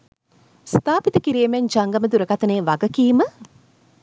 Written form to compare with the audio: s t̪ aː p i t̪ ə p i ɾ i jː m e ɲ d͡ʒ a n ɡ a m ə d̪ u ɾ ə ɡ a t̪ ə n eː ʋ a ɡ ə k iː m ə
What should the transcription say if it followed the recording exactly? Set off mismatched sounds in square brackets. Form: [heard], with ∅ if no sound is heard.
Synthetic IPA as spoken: s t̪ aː p i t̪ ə [k] i ɾ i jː m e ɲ d͡ʒ a [ŋ] ɡ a m ə d̪ u ɾ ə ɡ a t̪ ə n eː ʋ a ɡ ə k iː m ə